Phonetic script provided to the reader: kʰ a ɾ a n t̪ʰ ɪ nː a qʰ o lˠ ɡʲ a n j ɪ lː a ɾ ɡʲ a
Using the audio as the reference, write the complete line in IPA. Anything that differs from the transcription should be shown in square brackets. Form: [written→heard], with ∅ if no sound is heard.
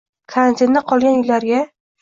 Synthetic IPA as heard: kʰ a ɾ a n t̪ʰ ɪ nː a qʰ [o→ɒ] lˠ ɡʲ a n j ɪ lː a ɾ ɡʲ a